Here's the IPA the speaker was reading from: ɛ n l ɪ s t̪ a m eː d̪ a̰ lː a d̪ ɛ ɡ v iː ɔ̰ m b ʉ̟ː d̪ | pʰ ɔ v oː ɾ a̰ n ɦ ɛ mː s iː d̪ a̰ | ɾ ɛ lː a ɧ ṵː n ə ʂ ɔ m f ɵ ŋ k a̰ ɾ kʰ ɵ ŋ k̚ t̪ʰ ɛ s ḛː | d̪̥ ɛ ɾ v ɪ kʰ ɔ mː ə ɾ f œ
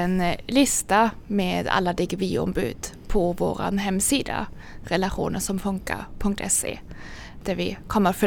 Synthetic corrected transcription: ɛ n l ɪ s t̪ a m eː d̪ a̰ lː a d̪ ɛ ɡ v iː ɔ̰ m b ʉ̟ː d̪ | pʰ ɔ v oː ɾ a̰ n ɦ ɛ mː s iː d̪ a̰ | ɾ ɛ l a ɧ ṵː n ə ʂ ɔ m f ɵ ŋ k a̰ ɾ pʰ ɵ ŋ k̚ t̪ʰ ɛ s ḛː | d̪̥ æ ɾ v ɪ kʰ ɔ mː ə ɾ f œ